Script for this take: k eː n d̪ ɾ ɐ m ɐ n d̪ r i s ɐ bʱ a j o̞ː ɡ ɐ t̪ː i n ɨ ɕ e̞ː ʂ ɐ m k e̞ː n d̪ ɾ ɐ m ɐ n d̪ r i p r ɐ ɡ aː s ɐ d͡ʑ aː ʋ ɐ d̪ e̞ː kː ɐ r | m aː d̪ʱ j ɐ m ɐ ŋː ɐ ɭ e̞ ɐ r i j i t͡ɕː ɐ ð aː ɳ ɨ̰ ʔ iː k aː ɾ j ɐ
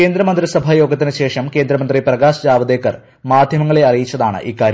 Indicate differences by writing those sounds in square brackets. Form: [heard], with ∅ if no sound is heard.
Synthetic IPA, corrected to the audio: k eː n d̪ ɾ ɐ m ɐ n d̪ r i s ɐ bʱ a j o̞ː ɡ ɐ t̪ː i n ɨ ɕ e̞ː ʂ ɐ m k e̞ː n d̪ ɾ ɐ m ɐ n d̪ r i p r ɐ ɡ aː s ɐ d͡ʑ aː ʋ ɐ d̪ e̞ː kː ɐ r | m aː d̪ʱ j ɐ m ɐ ŋː ɐ ɭ e̞ ɐ r i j i t͡ɕː ɐ ð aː ɳ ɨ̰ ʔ iː k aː ɾ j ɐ